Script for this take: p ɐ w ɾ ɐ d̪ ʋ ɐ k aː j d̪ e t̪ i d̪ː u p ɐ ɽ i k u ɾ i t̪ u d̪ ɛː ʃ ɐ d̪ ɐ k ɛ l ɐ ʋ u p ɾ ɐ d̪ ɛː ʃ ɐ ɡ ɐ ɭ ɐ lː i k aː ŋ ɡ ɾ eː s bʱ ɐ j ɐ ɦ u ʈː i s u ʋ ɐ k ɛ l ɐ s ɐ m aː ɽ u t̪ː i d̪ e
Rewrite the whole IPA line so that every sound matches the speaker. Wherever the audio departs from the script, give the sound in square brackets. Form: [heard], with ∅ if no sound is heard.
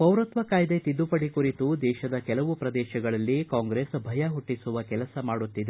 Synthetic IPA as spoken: p ɐ w ɾ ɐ [t̪] ʋ ɐ k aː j d̪ e t̪ i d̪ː u p ɐ ɽ i k u ɾ i t̪ u d̪ ɛː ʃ ɐ d̪ ɐ k ɛ l ɐ ʋ u p ɾ ɐ d̪ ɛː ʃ ɐ ɡ ɐ ɭ ɐ lː i k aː ŋ ɡ ɾ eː s bʱ ɐ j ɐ ɦ u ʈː i s u ʋ ɐ k ɛ l ɐ s ɐ m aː ɽ u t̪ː i d̪ e